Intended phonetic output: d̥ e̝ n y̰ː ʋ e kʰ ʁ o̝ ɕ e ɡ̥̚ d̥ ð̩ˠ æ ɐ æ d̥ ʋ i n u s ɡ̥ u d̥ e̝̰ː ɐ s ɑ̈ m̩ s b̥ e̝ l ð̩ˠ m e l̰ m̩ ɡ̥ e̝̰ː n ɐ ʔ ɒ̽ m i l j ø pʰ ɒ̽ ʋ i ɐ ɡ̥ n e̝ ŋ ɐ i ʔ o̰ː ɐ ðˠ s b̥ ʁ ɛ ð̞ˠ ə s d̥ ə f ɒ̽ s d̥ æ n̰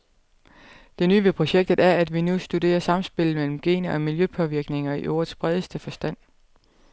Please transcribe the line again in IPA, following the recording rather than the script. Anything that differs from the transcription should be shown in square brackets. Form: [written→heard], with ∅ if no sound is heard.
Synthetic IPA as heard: d̥ e̝ n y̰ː ʋ e [kʰ→pʰ] ʁ o̝ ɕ e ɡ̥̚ d̥ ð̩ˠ æ ɐ æ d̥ ʋ i n u s [ɡ̥→d̥] u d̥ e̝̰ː ɐ s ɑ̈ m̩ s b̥ e̝ l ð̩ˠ m e l̰ m̩ ɡ̥ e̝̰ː n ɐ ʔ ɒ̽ m i l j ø pʰ ɒ̽ ʋ i ɐ ɡ̥ n e̝ ŋ ɐ i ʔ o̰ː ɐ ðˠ s b̥ ʁ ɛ ð̞ˠ ə s d̥ ə f ɒ̽ s d̥ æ n̰